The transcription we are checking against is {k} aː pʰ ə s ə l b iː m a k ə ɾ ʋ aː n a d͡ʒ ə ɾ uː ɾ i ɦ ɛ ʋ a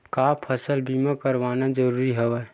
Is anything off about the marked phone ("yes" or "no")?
no